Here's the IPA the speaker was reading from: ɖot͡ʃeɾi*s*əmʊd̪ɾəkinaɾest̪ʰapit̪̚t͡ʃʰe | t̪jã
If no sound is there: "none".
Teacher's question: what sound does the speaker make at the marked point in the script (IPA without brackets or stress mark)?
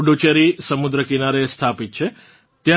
s